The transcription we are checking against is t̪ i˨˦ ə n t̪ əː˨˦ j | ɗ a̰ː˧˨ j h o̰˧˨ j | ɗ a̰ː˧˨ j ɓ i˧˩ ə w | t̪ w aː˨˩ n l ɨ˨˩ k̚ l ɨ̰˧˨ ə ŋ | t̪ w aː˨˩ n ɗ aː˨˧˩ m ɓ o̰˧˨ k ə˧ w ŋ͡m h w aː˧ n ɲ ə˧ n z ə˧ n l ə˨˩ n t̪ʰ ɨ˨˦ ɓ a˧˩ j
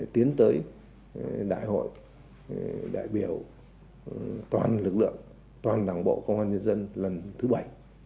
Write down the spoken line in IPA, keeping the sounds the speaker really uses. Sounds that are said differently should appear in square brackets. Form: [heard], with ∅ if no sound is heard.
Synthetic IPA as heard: t̪ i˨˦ ə n t̪ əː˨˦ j | ɗ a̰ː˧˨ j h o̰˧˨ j | ɗ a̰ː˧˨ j ɓ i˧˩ ə w | t̪ w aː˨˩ n l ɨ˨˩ k̚ l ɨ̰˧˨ ə ŋ | t̪ w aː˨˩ n ɗ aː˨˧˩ [ŋ] ɓ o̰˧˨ k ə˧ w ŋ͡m h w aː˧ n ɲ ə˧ n z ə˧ n l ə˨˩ n t̪ʰ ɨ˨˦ ɓ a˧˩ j